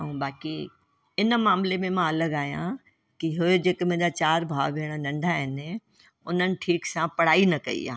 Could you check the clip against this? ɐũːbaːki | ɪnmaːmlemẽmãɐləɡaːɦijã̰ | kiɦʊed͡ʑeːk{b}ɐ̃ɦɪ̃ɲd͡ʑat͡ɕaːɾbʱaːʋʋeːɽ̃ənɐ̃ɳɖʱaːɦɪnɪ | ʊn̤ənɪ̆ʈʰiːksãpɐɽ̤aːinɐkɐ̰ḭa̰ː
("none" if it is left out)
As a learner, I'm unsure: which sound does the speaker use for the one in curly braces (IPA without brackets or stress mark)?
m